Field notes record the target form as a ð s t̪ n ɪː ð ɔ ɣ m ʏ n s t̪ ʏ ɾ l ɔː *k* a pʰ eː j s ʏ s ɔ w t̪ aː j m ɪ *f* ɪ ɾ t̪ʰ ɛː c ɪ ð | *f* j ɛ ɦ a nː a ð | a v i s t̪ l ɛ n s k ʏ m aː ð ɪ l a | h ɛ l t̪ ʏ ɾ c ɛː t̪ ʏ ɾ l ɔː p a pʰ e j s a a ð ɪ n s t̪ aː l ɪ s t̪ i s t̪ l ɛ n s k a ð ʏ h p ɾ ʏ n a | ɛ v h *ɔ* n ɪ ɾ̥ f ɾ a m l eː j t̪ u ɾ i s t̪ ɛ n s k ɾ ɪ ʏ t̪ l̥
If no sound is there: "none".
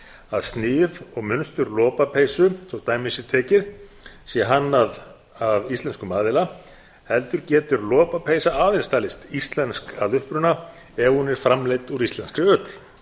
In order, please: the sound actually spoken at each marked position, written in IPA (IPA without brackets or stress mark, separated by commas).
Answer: p, s, s, u